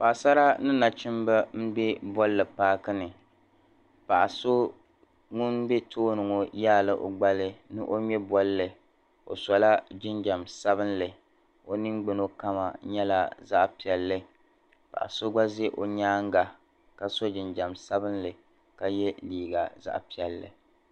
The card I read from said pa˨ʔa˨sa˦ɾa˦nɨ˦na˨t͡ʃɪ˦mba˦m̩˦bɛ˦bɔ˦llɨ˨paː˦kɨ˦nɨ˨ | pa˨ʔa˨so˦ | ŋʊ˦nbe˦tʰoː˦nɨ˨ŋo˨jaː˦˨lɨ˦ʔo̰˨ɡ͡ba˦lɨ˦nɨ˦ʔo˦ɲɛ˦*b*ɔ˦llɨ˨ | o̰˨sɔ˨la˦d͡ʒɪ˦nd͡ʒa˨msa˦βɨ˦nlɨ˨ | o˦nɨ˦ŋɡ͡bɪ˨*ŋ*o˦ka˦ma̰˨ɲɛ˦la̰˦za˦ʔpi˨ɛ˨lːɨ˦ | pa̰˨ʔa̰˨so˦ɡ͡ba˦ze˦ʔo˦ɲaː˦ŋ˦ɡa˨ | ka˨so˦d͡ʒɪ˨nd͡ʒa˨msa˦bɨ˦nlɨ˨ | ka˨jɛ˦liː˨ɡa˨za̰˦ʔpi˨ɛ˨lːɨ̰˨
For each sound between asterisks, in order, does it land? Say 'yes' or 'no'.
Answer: yes, no

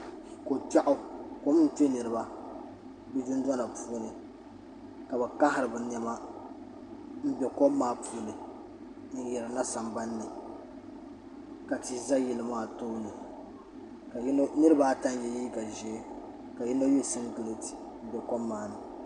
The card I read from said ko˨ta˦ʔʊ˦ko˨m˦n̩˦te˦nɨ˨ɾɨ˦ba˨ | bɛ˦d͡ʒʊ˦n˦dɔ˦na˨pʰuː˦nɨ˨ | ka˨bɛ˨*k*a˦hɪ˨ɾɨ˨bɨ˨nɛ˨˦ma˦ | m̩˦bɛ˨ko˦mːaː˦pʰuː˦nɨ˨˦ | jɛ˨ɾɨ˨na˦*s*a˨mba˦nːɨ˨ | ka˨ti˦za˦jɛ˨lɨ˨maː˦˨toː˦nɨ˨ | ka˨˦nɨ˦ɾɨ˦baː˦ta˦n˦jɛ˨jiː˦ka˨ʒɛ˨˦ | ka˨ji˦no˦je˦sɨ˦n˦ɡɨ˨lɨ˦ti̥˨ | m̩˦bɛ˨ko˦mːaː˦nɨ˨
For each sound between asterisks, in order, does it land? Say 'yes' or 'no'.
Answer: yes, yes

